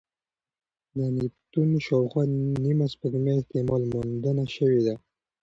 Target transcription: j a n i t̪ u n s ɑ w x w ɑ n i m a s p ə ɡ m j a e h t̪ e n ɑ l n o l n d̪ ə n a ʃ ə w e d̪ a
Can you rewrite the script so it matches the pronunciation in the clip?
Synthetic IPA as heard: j a n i t̪ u n ʃ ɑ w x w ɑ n i m a s p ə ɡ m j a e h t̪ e m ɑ l m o n d̪ ə n a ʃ ə w e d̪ a